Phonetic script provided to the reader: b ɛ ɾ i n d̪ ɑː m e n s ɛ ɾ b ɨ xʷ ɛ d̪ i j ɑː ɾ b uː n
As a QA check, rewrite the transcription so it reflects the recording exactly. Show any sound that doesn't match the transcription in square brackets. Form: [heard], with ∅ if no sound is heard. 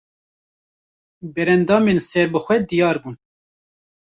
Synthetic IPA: b ɛ ɾ [ɛ] n d̪ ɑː m e n s ɛ ɾ b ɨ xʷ ɛ d̪ i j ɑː ɾ b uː n